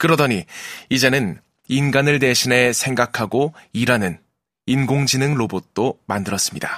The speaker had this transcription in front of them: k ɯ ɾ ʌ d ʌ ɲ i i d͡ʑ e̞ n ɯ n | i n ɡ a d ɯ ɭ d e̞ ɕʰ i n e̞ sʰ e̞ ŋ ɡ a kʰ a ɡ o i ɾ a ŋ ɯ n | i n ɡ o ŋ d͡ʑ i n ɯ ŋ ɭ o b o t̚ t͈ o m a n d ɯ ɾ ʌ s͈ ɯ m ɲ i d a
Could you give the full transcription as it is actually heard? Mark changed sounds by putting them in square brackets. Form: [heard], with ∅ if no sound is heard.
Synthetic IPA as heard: k ɯ ɾ ʌ d ʌ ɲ i i d͡ʑ e̞ n ɯ n | i n ɡ a [n] ɯ ɭ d e̞ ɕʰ i n e̞ sʰ e̞ ŋ ɡ a kʰ a ɡ o i ɾ a [n] ɯ n | i n ɡ o ŋ d͡ʑ i n ɯ ŋ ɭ o b o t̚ t͈ o m a n d ɯ ɾ ʌ s͈ ɯ m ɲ i d a